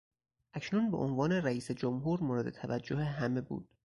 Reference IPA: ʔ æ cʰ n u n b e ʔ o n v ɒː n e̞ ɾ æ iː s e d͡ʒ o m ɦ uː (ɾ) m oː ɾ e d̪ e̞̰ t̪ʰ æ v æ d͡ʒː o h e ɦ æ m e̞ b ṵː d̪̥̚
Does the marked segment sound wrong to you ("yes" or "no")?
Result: no